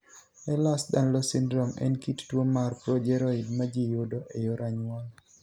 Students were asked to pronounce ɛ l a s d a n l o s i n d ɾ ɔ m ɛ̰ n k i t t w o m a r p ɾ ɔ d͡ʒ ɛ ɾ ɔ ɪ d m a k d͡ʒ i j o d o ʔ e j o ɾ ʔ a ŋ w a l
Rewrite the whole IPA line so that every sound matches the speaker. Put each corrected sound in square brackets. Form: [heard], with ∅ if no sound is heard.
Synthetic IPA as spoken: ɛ l a s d a n l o s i n d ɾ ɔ m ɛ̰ n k i t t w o m a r p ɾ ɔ d͡ʒ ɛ ɾ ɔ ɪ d m a [∅] d͡ʒ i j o d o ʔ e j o ɾ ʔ a [ɲ] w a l